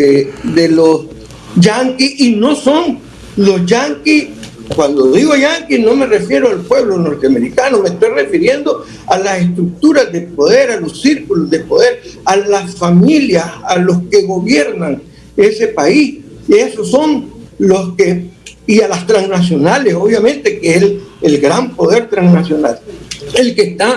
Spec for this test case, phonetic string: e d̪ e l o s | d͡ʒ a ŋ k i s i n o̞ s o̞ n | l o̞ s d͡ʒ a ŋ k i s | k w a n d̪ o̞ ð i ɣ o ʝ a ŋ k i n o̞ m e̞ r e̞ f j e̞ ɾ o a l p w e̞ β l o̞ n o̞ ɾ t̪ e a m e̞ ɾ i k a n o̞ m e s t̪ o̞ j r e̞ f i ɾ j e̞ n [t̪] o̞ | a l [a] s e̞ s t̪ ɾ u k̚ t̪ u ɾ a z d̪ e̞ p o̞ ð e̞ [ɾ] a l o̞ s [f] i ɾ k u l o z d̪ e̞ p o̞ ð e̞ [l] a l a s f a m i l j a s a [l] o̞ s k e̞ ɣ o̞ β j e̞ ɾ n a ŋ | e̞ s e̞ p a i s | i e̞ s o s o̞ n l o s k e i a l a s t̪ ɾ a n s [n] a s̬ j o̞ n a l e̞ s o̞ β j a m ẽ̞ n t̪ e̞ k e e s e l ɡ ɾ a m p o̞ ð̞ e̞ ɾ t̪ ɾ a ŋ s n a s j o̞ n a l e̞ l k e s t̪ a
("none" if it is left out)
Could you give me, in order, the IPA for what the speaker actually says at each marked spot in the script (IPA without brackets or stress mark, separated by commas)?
d̪, a, ɾ, s, ɾ, l, n